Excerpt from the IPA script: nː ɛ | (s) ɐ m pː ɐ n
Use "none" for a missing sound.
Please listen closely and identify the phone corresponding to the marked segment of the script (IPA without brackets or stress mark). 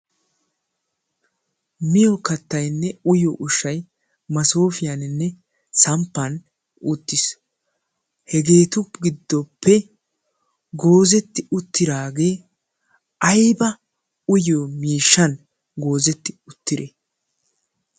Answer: s